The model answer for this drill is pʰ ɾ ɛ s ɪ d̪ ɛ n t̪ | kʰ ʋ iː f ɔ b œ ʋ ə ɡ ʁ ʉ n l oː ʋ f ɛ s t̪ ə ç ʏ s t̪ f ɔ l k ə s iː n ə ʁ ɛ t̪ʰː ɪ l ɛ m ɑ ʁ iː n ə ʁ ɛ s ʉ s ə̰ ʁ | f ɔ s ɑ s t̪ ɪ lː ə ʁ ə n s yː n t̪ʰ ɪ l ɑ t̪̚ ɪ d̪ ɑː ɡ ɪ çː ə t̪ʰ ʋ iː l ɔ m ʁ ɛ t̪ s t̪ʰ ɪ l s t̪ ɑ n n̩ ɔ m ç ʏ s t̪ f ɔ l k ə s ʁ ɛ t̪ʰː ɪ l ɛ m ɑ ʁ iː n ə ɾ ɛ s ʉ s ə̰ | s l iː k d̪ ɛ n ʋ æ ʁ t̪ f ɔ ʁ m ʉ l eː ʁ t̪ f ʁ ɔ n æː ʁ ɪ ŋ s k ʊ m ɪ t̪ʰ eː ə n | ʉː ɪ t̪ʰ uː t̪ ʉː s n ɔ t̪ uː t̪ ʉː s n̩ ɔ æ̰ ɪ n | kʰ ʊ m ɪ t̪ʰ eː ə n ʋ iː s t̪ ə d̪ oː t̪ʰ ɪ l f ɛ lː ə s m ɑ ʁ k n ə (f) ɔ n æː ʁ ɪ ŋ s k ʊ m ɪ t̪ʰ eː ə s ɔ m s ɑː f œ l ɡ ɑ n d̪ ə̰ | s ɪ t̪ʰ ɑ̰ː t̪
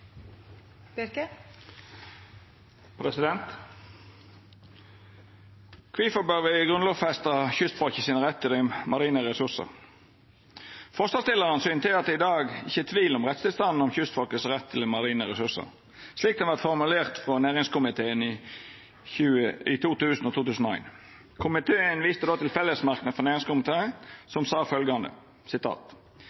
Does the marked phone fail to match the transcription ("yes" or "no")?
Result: no